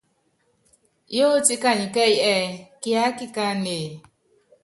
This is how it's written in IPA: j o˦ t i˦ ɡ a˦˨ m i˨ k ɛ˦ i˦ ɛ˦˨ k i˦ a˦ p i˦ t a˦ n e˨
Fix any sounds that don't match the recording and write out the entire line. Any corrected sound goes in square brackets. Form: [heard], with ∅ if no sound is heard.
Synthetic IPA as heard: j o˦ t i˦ [k] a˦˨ [ɲ] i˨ k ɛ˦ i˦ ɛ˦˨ k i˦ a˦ [k] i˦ [k] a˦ n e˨